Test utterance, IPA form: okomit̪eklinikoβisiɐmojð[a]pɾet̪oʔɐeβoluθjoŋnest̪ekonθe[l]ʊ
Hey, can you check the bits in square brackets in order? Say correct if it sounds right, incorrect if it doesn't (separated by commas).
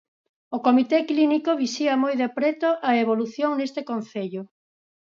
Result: incorrect, incorrect